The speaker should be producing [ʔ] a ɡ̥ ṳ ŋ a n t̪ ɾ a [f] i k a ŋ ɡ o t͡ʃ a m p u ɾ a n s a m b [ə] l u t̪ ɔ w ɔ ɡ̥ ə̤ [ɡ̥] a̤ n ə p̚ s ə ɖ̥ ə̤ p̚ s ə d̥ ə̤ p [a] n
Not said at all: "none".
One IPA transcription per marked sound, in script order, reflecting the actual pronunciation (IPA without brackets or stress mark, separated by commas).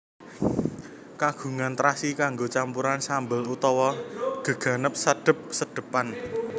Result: k, s, ə, ɡ̥, a